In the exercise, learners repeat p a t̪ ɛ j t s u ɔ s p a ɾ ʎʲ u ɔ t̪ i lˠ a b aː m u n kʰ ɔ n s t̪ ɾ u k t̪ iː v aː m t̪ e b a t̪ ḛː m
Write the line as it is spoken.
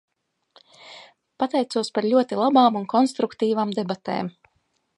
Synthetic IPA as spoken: p a t̪ ɛ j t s u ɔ s p a ɾ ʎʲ u ɔ t̪ i lˠ a b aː m u n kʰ ɔ n s t̪ ɾ u k t̪ iː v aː m d̪ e b a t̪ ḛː m